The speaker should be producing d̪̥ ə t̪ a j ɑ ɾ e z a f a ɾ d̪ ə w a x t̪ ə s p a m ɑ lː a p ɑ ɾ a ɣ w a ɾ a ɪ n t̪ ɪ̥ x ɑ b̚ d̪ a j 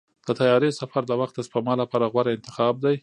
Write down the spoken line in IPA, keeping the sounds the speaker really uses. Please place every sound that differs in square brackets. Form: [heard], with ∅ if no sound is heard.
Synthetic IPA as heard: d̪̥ ə t̪ a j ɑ ɾ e [s] a f a ɾ d̪ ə w a x t̪ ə s p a m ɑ [l] a p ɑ ɾ a ɣ w a ɾ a ɪ n t̪ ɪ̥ x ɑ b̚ d̪ a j